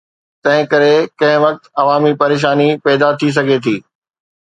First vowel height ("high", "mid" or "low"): low